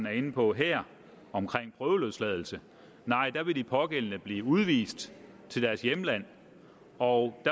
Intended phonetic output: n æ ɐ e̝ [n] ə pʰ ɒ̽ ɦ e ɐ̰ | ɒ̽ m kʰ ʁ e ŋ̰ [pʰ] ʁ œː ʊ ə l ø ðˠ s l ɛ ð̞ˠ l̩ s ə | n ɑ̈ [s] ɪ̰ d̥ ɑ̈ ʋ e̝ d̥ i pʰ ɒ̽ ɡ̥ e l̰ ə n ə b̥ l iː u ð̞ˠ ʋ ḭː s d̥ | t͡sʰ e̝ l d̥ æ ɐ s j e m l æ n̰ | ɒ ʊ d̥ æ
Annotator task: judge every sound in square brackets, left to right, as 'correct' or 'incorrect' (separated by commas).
correct, correct, incorrect